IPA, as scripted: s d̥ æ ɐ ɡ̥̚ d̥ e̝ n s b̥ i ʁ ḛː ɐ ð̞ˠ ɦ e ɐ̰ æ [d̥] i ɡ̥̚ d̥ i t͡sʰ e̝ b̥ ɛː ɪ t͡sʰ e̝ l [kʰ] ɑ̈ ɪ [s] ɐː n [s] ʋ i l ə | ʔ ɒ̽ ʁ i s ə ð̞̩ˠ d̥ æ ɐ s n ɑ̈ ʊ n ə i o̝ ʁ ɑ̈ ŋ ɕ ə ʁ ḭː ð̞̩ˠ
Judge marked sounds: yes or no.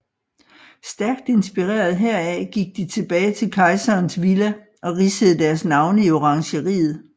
no, yes, yes, yes

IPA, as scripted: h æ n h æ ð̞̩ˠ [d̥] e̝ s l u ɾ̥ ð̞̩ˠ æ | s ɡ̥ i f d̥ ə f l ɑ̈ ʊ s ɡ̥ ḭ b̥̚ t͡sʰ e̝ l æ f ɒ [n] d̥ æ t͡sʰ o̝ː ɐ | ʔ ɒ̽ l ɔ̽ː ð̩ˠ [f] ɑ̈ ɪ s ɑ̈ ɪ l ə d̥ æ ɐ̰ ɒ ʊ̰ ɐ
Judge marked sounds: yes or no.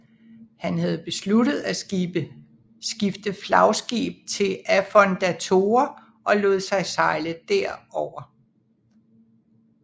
no, yes, no

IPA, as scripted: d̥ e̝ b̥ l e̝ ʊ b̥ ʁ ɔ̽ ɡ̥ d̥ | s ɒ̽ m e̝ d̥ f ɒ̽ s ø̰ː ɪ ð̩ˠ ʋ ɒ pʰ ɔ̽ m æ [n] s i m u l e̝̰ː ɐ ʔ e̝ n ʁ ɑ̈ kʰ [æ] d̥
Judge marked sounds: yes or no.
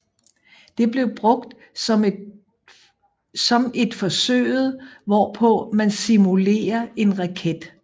yes, no

